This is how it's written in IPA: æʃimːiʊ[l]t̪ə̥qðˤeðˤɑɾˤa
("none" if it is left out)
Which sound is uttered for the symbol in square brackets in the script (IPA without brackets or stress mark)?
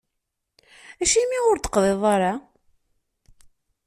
ɾ